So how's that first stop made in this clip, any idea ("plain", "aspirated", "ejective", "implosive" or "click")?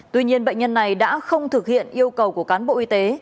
plain